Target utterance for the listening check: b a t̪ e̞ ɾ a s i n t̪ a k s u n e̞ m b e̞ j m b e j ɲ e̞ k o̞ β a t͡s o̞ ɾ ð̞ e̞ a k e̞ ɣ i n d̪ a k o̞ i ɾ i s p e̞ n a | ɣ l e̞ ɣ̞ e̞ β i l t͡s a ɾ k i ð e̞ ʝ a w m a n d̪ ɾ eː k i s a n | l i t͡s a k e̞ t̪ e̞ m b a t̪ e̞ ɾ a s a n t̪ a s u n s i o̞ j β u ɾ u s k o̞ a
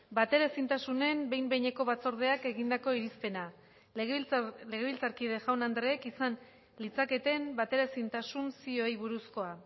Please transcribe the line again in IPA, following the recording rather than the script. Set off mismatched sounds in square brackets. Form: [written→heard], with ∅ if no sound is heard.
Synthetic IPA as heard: b a t̪ e̞ ɾ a s i n t̪ a [k→∅] s u n e̞ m b e̞ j m b e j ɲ e̞ k o̞ β a t͡s o̞ ɾ ð̞ e̞ a k e̞ ɣ i n d̪ a k o̞ i ɾ i s p e̞ n a | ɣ l e̞ ɣ̞ e̞ β i l t͡s a ɾ k i ð e̞ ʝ a w [m→n] a n d̪ ɾ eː k i s a n | l i t͡s a k e̞ t̪ e̞ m b a t̪ e̞ ɾ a s [a→i] n t̪ a s u n s i o̞ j β u ɾ u s k o̞ a